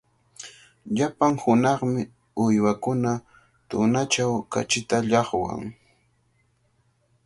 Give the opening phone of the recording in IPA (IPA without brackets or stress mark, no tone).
ʎ